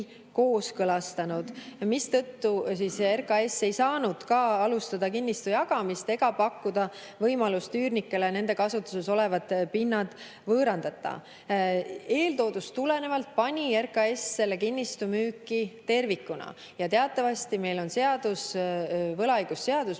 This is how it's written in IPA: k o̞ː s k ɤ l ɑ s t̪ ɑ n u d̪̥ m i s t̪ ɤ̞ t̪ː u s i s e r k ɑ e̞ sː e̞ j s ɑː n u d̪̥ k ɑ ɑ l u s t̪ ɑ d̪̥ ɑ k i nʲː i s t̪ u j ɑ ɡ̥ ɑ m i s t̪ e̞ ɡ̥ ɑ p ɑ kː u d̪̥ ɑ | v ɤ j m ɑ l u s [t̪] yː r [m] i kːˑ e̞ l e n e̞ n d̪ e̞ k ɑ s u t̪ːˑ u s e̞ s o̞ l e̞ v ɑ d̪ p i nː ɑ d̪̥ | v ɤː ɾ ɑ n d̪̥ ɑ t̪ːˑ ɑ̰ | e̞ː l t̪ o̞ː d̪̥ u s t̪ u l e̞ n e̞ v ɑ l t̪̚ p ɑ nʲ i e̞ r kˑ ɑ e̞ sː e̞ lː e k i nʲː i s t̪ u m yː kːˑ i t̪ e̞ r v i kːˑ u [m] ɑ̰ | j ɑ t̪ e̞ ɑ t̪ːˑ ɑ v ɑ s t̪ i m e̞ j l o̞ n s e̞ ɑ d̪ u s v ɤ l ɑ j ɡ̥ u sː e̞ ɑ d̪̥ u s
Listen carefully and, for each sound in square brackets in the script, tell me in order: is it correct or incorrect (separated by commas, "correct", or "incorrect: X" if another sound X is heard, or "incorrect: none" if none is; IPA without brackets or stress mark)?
correct, incorrect: n, incorrect: n